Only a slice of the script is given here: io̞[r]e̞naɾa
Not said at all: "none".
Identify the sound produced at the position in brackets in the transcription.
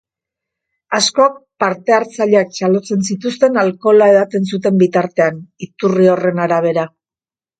r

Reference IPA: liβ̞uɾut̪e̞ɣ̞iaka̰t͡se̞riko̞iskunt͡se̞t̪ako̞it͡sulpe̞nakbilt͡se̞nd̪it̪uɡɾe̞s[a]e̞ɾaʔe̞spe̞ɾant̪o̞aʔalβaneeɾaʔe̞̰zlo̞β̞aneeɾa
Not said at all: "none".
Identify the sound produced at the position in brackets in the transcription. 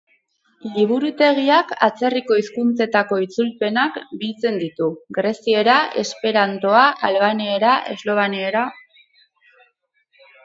i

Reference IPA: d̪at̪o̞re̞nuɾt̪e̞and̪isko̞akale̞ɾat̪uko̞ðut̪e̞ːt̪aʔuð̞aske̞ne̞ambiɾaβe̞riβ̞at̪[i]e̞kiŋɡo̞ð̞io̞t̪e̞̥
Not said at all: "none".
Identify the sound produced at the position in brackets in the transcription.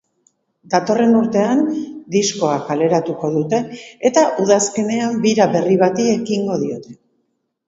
i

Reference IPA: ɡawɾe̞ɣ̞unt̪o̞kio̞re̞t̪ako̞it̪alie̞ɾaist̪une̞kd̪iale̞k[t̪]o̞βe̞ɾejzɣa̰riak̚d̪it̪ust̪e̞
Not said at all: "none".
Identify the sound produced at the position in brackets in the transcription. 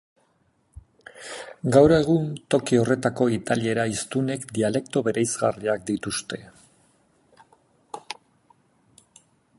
t̪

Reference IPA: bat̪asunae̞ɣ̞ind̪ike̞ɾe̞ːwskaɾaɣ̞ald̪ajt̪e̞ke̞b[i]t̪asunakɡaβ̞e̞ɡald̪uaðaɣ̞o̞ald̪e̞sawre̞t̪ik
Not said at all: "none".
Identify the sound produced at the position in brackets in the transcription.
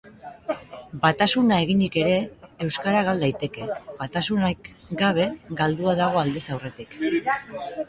a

